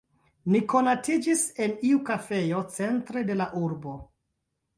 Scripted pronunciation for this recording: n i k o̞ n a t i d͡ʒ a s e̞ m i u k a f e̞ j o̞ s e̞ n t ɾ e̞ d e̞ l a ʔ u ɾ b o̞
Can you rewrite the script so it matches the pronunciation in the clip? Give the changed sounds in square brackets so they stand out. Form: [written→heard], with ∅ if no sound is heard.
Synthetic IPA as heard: n i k o̞ n a t i d͡ʒ [a→i] s e̞ [m→n] i u k a f e̞ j o̞ [s→t͡s] e̞ n t ɾ e̞ d e̞ l a ʔ u ɾ b o̞